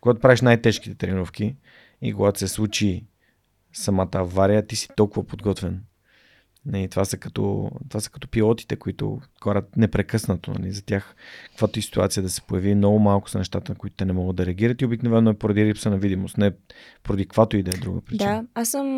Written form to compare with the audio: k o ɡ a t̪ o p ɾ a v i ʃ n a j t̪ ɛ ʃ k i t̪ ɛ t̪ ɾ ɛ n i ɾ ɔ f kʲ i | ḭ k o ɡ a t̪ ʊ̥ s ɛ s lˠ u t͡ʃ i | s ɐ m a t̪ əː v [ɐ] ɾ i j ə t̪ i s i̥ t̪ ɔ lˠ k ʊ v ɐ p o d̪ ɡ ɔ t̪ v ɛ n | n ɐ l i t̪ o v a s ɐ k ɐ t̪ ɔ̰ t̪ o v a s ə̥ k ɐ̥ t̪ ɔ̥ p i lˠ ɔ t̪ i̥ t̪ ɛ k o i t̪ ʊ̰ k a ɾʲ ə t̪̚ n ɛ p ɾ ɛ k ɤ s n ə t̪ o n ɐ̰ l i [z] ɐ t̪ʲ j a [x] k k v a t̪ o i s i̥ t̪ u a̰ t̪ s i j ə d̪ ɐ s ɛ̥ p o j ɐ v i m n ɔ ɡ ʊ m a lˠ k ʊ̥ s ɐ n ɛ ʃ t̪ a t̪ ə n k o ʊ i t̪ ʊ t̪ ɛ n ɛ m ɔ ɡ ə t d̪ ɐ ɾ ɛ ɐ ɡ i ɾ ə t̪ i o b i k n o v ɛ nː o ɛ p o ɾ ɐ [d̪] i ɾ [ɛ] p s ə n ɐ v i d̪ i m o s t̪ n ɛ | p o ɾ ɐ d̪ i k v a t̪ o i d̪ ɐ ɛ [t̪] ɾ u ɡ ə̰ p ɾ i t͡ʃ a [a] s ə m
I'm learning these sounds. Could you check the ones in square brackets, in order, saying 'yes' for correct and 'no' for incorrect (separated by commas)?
no, yes, yes, yes, no, no, yes